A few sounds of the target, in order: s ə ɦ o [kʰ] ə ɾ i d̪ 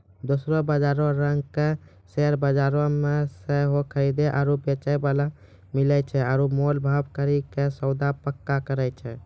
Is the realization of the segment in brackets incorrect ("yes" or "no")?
no